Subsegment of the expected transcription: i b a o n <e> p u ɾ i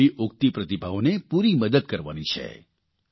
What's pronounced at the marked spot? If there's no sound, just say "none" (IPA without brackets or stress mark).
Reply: e